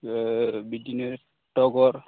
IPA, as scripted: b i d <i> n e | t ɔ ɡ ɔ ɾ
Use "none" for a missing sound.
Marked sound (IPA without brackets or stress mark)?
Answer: i